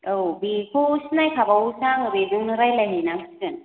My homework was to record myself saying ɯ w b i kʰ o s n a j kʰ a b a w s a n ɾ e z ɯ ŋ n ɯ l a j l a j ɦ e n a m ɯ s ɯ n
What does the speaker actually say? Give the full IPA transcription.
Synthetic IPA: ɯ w b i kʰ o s n a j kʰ a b a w s a ŋ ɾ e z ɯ ŋ n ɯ ɾ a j l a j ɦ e n a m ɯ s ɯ n

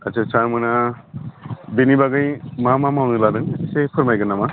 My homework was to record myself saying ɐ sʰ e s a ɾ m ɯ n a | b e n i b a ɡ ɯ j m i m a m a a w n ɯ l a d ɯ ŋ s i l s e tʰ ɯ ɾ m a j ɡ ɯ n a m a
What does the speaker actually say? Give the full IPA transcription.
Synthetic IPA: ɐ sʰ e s a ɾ m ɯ n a | b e n i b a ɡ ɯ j m a m a m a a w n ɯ l a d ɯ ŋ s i s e pʰ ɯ ɾ m a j ɡ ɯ n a m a

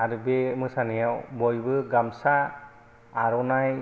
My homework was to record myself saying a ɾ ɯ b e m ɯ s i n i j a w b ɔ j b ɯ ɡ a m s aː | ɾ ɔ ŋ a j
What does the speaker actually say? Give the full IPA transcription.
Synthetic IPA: a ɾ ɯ b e m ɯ s a n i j a w b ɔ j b ɯ ɡ a m s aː | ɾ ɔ n a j

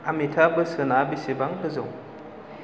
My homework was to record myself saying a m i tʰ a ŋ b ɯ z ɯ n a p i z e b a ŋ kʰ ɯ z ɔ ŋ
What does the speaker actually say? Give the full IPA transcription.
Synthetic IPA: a m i tʰ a b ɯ s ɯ n a b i s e b a ŋ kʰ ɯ z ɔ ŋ

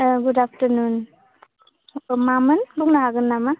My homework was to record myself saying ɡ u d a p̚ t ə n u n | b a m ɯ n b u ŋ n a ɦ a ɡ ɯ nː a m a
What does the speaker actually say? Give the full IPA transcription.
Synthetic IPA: ɡ u d a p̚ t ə n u n | m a m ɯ n b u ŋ n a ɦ a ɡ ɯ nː a m a

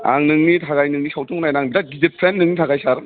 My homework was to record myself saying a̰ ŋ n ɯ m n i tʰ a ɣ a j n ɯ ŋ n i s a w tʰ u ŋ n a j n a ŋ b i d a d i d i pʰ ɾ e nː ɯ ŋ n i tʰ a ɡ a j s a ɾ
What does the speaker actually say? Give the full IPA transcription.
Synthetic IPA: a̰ ŋ n ɯ ŋ n i tʰ a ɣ a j n ɯ ŋ n i s a w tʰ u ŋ n a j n a ŋ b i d a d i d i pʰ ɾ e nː ɯ ŋ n i tʰ a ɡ a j s a ɾ

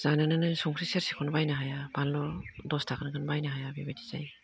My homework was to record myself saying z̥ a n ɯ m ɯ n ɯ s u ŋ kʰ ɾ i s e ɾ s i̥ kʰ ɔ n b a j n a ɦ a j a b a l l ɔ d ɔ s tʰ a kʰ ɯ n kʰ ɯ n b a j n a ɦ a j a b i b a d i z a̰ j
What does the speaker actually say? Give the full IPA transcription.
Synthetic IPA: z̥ a n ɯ n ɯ n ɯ s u ŋ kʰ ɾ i s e ɾ s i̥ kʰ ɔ n b a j n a ɦ a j a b a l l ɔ d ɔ s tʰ a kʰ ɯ n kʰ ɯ n b a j n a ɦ a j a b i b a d i z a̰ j

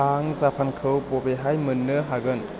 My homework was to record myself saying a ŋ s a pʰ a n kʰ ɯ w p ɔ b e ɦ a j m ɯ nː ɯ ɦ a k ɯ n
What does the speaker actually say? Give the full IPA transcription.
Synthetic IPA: a ŋ z a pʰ a n kʰ ɯ w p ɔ b e ɦ a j m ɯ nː ɯ ɦ a ɡ ɯ n

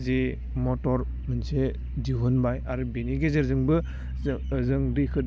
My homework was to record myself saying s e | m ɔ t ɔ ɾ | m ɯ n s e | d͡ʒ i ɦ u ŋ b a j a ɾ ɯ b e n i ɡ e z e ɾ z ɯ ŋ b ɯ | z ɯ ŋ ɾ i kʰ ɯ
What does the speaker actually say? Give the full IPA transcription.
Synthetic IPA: z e | m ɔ t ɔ ɾ | m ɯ n s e | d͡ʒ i ɦ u n b a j a ɾ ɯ b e n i ɡ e z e ɾ z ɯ ŋ b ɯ | z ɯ ŋ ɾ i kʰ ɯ

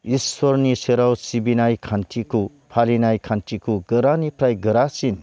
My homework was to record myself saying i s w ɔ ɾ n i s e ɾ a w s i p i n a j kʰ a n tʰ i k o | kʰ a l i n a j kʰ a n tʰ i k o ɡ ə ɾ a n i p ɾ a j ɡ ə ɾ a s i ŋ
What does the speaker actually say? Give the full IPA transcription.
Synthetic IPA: i s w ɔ ɾ n i s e ɾ a w s i b i n a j kʰ a n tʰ i k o | pʰ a l i n a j kʰ a n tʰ i k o ɡ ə ɾ a n i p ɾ a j ɡ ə ɾ a s i n

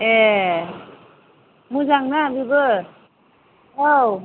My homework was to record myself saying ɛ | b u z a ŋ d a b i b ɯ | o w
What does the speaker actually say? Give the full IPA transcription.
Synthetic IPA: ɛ | m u z a ŋ n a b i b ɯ | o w

